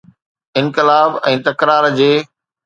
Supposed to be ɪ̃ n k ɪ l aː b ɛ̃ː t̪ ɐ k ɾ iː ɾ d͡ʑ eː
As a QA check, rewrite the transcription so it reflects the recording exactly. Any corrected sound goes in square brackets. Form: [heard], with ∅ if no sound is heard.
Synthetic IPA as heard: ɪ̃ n k ɪ l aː b ɛ̃ː t̪ ɐ k ɾ [aː] ɾ d͡ʑ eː